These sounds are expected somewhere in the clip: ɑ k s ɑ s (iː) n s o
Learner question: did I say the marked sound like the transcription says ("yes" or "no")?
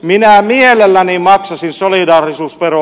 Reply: no